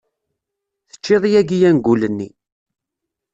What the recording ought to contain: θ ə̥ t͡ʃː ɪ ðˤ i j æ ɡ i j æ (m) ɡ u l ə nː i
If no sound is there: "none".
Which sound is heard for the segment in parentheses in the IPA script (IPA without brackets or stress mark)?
n